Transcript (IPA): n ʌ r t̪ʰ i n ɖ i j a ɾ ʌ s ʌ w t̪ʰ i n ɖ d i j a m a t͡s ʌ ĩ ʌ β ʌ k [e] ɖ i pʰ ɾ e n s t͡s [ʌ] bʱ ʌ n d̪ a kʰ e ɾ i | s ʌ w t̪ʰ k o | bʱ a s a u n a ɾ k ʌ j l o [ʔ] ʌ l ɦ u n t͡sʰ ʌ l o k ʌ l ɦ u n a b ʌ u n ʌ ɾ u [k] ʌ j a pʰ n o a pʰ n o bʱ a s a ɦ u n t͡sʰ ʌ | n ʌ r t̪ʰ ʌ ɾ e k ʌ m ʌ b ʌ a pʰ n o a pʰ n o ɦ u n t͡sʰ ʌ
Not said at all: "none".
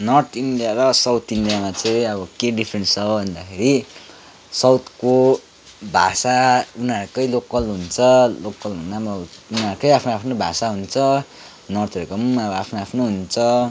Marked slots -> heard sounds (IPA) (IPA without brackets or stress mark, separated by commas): e, ʌ, k, k